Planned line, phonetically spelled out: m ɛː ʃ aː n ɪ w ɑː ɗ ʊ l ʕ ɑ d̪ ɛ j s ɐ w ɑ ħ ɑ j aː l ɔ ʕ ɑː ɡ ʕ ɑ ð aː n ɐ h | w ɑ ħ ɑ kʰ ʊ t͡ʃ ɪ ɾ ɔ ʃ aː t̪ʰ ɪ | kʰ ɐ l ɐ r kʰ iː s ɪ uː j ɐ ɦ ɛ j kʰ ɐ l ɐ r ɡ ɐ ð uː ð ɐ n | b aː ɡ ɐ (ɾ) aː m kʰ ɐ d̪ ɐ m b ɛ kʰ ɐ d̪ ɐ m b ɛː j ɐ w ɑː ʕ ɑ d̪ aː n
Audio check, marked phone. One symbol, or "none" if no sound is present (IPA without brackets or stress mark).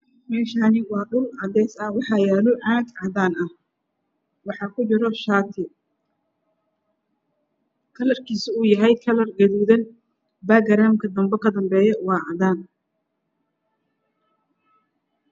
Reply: ɾ